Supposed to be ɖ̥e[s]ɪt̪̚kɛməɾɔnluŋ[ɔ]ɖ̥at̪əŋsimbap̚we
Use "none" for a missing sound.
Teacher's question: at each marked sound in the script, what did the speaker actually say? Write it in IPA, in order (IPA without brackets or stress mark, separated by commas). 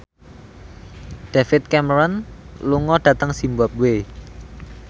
f, ɔ